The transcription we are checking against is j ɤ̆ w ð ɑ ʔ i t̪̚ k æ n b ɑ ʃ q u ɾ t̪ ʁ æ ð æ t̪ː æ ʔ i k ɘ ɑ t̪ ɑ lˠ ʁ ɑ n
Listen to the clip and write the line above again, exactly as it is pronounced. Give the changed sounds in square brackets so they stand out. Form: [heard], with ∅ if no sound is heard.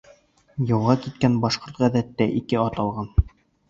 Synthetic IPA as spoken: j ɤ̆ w [ʁ] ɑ [k] i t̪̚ k æ n b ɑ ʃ q [o] ɾ t̪ ʁ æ ð æ t̪ː æ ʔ i k ɘ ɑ t̪ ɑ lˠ ʁ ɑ n